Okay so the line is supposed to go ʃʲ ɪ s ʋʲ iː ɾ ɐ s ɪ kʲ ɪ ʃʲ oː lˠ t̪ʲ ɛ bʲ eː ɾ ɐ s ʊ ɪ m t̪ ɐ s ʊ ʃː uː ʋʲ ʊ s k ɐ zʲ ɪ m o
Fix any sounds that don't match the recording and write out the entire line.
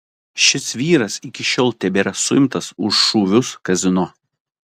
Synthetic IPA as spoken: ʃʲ ɪ s ʋʲ iː ɾ ɐ s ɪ kʲ ɪ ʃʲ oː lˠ t̪ʲ ɛ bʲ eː ɾ ɐ s ʊ ɪ m t̪ ɐ s ʊ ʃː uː ʋʲ ʊ s k ɐ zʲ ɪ n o

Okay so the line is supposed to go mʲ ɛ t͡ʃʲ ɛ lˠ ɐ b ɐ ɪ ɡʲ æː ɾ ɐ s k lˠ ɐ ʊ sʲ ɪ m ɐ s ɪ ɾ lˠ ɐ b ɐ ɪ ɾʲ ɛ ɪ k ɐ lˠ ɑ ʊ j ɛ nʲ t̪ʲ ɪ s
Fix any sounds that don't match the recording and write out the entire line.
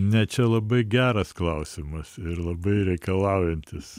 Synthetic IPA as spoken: nʲ ɛ t͡ʃʲ ɛ lˠ ɐ b ɐ ɪ ɡʲ æː ɾ ɐ s k lˠ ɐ ʊ sʲ ɪ m ɐ s ɪ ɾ lˠ ɐ b ɐ ɪ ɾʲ ɛ ɪ k ɐ lˠ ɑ ʊ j ɛ nʲ t̪ʲ ɪ s

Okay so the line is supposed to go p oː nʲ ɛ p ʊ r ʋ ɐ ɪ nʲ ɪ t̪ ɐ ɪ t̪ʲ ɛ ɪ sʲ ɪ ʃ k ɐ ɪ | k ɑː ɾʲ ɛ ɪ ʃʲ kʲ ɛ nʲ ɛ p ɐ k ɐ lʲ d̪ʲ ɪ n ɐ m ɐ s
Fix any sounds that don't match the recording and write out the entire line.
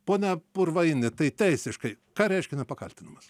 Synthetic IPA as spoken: p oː nʲ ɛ p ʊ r ʋ ɐ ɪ nʲ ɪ t̪ ɐ ɪ t̪ʲ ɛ ɪ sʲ ɪ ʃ k ɐ ɪ | k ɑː ɾʲ ɛ ɪ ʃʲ kʲ ɛ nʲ ɛ p ɐ k ɐ lʲ t̪ʲ ɪ n ɐ m ɐ s

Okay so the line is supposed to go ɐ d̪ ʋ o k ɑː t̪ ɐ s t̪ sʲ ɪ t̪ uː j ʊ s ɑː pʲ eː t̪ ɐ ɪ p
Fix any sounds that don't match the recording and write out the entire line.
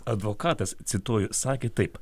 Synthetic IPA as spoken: ɐ d̪ ʋ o k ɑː t̪ ɐ s t̪ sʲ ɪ t̪ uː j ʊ s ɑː kʲ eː t̪ ɐ ɪ p

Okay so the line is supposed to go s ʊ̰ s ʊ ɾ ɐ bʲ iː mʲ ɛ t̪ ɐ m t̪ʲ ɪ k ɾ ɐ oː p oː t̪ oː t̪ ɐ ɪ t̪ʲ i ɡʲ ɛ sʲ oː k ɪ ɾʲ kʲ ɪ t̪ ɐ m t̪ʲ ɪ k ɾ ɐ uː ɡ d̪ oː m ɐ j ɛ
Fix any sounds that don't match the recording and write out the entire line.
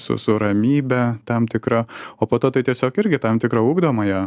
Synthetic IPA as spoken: s ʊ̰ s ʊ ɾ ɐ mʲ iː bʲ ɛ t̪ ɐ m t̪ʲ ɪ k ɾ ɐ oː p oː t̪ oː t̪ ɐ ɪ t̪ʲ i ɛ sʲ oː k ɪ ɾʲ ɡʲ ɪ t̪ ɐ m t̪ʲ ɪ k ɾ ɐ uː ɡ d̪ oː m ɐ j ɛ

